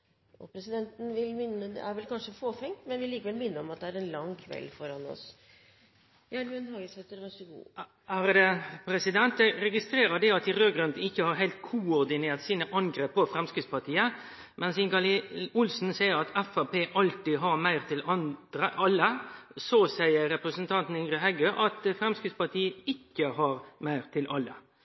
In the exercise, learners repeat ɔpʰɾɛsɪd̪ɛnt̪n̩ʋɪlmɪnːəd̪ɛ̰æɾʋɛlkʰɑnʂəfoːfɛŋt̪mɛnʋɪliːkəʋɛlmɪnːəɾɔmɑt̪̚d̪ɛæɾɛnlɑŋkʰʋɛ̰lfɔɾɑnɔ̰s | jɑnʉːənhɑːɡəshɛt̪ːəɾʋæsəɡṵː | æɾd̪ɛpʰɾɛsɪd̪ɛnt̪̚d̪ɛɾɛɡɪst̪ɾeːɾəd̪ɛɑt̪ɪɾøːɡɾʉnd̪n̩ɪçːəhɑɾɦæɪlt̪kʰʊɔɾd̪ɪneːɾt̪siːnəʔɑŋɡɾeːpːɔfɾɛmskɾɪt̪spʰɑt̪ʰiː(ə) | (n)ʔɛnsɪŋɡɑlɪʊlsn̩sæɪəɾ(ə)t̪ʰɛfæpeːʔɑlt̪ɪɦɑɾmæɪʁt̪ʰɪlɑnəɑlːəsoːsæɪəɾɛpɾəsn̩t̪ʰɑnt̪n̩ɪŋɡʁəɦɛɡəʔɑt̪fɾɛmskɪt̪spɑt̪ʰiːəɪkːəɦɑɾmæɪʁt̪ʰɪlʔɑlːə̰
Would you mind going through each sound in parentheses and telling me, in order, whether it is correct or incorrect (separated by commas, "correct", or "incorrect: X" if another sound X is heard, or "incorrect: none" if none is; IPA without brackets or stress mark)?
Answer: correct, incorrect: m, incorrect: ɑ